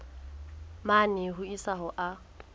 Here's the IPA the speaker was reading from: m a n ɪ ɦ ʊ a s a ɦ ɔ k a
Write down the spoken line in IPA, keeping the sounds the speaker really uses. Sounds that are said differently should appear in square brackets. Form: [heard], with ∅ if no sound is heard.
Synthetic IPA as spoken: m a n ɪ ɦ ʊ [i] s a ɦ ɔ [ʔ] a